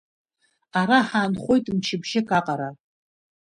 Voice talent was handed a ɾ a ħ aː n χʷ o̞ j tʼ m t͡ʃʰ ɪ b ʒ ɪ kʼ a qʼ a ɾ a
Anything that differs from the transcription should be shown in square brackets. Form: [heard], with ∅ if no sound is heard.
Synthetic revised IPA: a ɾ a ħ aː n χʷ o̞ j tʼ m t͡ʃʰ ɪ b ʒ ɪ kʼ a qʼ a ɾ a